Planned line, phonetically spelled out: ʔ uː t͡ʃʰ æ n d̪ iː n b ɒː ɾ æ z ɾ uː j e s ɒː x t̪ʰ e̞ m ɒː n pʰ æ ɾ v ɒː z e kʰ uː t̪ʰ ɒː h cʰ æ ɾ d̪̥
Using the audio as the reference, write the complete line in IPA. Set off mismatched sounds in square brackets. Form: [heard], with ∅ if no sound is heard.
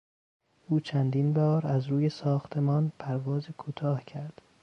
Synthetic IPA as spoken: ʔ uː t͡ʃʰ æ n d̪ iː n b ɒː ɾ æ z ɾ uː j e s ɒː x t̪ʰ e̞ m ɒː n pʰ æ ɾ v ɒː z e kʰ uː t̪ʰ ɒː h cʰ æ ɾ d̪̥